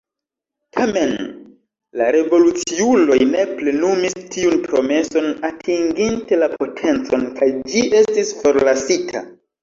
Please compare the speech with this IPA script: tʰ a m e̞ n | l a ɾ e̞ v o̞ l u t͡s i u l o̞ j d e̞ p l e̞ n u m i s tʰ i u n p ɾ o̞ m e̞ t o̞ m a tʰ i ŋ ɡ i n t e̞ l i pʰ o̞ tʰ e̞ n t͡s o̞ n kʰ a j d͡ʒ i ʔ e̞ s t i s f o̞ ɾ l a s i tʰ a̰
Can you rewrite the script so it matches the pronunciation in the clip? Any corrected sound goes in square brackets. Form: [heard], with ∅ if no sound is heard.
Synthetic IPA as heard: tʰ a m e̞ n | l a ɾ e̞ v o̞ l u t͡s i u l o̞ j [n] e̞ p l e̞ n u m i s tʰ i u n p ɾ o̞ m e̞ [s] o̞ [n] a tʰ i ŋ ɡ i n t e̞ l [a] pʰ o̞ tʰ e̞ n t͡s o̞ n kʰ a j d͡ʒ i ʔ e̞ s t i s f o̞ ɾ l a s i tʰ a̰